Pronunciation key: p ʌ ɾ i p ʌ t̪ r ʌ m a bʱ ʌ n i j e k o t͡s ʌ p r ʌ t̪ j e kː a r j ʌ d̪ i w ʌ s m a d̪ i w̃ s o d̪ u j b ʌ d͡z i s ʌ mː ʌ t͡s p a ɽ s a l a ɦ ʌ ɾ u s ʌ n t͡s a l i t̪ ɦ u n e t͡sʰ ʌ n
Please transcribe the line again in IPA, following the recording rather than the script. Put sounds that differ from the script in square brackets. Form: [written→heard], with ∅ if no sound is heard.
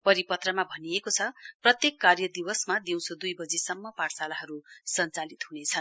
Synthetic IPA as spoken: p ʌ ɾ i p ʌ t̪ r ʌ m a bʱ ʌ n i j e k o [t͡s→t͡sʰ] ʌ p r ʌ t̪ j e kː a r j ʌ d̪ i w ʌ s m a d̪ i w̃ s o d̪ u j b ʌ d͡z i s ʌ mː ʌ [t͡s→∅] p a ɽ s a l a ɦ ʌ ɾ u s ʌ n t͡s a l i t̪ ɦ u n e t͡sʰ ʌ n